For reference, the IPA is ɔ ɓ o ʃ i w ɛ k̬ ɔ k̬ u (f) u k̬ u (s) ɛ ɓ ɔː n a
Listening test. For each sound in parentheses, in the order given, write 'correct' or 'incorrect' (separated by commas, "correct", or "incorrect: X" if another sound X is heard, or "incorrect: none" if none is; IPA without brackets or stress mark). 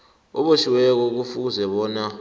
correct, incorrect: z